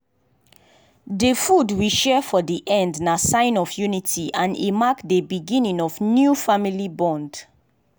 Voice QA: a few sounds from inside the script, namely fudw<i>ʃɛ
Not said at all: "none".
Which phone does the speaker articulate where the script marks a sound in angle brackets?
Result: i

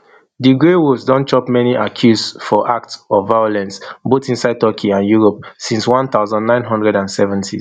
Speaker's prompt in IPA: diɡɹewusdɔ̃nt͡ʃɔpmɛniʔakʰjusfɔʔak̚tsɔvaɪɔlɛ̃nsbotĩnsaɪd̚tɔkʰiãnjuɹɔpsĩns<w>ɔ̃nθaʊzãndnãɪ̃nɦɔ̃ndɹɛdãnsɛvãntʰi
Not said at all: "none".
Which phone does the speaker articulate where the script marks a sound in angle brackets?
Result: w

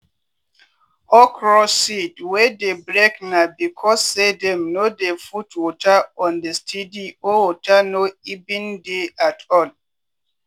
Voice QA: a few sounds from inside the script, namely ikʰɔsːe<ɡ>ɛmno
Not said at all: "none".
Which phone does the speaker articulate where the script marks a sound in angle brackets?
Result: d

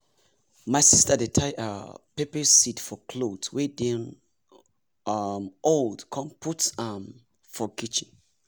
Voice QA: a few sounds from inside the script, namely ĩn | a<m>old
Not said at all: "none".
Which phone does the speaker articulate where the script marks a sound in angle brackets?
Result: m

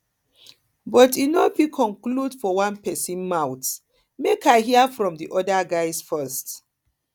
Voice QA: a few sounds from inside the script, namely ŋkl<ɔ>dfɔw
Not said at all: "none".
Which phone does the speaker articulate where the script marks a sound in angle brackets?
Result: u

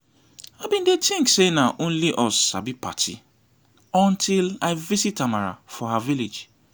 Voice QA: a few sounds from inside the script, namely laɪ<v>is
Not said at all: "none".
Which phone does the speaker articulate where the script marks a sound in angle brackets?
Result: v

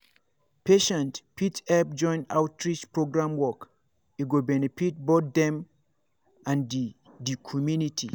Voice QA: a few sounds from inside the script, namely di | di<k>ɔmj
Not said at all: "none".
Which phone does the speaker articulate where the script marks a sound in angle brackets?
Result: kʰ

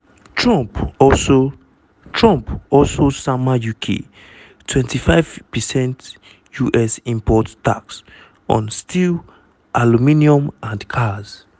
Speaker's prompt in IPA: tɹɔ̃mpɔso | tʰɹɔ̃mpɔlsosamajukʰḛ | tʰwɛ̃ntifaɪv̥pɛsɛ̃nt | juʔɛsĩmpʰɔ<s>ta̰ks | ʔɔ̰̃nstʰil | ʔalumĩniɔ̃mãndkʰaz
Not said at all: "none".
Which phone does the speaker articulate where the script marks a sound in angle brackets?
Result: t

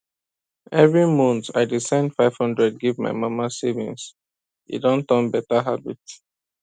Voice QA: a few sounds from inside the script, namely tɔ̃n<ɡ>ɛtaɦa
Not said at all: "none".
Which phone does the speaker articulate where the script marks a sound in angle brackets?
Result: b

